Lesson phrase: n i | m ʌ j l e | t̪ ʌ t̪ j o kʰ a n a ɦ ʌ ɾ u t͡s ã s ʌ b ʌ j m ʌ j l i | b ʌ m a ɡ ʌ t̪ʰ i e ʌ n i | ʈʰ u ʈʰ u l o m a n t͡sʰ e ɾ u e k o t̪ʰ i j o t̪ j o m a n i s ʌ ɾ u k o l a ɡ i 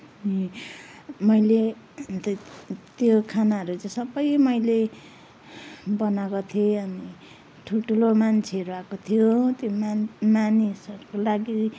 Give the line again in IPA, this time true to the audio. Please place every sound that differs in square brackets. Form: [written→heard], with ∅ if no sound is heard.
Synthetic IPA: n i | m ʌ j l e | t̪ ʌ t̪ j o kʰ a n a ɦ ʌ ɾ u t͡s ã s ʌ b ʌ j m ʌ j l [i→e] | b ʌ [m→n] a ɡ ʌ t̪ʰ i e ʌ n i | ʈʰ u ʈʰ u l o m a n t͡sʰ e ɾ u [e→a] k o t̪ʰ i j o t̪ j o m a n i s ʌ ɾ u k o l a ɡ i